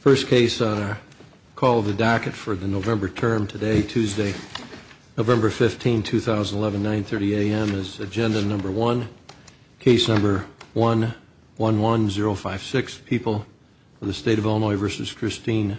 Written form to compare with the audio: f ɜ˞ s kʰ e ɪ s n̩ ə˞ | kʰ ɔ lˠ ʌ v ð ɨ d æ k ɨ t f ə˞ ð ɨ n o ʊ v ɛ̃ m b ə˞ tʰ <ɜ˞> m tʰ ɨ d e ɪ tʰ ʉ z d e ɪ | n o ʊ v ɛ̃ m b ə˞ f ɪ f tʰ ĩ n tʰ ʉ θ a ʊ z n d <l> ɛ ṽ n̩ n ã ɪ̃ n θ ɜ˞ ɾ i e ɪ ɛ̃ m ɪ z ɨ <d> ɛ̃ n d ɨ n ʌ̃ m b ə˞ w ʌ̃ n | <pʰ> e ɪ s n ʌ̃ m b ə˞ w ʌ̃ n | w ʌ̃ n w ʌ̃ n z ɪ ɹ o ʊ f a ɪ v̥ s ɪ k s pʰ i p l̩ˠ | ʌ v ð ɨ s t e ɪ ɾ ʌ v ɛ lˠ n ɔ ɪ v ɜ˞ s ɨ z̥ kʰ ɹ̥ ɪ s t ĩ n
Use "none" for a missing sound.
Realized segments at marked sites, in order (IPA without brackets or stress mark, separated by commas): ɜ̃˞, l, d͡ʒ, kʰ